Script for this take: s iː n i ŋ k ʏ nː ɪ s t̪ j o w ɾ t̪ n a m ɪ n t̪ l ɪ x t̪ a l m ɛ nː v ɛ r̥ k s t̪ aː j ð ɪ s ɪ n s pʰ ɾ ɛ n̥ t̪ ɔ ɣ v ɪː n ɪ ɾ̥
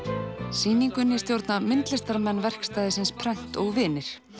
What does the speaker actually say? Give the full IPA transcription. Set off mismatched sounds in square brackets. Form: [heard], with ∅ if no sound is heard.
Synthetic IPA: s iː n i ŋ k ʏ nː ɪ s t̪ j o w ɾ t̪ n a m ɪ n t̪ l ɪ [s] t̪ a [ɾ] m ɛ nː v ɛ r̥ k s t̪ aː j ð ɪ s ɪ n s pʰ ɾ ɛ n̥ t̪ ɔ ɣ v ɪː n ɪ ɾ̥

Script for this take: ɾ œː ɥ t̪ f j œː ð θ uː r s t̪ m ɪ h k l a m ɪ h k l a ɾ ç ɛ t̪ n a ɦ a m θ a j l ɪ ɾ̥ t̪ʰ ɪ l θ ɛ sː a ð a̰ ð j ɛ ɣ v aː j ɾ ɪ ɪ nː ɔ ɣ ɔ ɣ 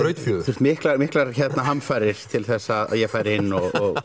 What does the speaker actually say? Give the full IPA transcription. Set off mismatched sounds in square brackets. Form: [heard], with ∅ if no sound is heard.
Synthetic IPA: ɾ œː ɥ t̪ f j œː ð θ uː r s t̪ m ɪ h k l a m ɪ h k l a ɾ ç ɛ t̪ n a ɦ a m [f] a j [ɾ] ɪ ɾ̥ t̪ʰ ɪ l θ ɛ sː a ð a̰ ð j ɛ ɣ [f] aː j ɾ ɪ ɪ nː ɔ ɣ ɔ ɣ

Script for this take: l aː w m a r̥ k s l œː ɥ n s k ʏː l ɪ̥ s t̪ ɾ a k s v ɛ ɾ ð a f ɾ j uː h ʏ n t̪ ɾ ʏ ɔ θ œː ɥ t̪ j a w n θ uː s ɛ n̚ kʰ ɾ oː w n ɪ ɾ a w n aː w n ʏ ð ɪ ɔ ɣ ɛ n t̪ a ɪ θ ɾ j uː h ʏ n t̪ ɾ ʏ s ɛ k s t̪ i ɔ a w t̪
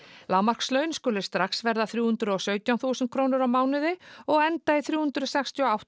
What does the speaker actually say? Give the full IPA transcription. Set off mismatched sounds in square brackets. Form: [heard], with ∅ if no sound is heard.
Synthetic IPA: l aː w m a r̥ k s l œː ɥ n s k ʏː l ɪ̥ s t̪ ɾ a k s v ɛ ɾ ð a [θ] ɾ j uː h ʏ n t̪ ɾ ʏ ɔ [s] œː ɥ t̪ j a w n θ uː s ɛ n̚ kʰ ɾ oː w n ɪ ɾ a w [m] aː w n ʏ ð ɪ ɔ ɣ ɛ n t̪ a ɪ θ ɾ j uː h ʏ n t̪ ɾ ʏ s ɛ k s t̪ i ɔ a w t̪

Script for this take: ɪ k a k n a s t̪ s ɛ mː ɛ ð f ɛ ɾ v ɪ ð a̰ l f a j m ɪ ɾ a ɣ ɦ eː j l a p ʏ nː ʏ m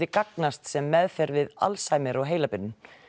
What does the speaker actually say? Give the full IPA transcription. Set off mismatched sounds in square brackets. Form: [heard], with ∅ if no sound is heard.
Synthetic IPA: ɪ k a k n a s t̪ s ɛ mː ɛ ð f ɛ ɾ v ɪ ð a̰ l [s] a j m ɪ ɾ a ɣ ɦ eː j l a p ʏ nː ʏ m

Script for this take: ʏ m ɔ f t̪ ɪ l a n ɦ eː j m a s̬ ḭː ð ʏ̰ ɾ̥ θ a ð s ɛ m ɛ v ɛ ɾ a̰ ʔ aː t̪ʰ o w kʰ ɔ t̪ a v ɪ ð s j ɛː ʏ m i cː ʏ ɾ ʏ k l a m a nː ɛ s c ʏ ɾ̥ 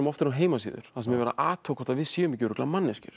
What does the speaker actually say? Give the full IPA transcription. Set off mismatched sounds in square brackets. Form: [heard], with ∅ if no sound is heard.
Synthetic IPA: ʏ m ɔ f t̪ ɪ [ɾ] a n ɦ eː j m a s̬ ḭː ð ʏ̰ ɾ̥ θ a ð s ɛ m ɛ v ɛ ɾ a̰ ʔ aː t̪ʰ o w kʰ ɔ t̪ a v ɪ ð s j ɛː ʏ m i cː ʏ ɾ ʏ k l a m a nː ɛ s c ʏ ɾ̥

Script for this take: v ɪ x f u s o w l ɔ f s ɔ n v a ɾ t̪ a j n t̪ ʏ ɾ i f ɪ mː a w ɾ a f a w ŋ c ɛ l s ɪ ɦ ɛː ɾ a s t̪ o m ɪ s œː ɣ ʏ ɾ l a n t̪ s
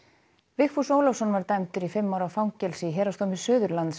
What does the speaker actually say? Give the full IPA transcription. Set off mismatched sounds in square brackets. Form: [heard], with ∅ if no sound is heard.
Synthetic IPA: v ɪ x f u s o w l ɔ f s ɔ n v a ɾ t̪ a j [m] t̪ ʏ ɾ i f ɪ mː a w ɾ a f a w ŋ c ɛ l s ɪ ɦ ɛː ɾ a s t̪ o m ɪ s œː [ð] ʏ ɾ l a n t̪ s

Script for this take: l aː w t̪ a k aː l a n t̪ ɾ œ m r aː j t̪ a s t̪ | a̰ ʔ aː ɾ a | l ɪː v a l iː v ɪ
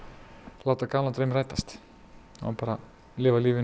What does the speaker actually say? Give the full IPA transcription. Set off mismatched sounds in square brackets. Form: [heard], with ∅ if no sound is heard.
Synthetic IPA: l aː w t̪ a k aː l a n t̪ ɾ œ m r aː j t̪ a s t̪ | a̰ [p] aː ɾ a | l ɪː v a l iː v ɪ

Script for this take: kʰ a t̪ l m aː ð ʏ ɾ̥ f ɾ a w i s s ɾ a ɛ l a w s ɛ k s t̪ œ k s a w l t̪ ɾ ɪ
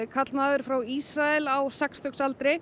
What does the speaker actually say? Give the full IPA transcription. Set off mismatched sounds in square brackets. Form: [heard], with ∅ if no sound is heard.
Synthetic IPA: kʰ a t̪ l m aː ð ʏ ɾ̥ f ɾ a w i s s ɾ a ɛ l a w s ɛ k s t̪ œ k s a [∅] l t̪ ɾ ɪ

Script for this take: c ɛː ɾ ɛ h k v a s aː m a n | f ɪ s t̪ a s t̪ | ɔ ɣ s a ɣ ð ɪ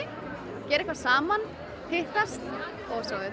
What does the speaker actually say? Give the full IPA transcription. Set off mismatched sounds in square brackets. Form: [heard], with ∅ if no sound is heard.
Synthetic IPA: c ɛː ɾ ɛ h k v a s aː m a n | [h] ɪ [h] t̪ a s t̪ | ɔ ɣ s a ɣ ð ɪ

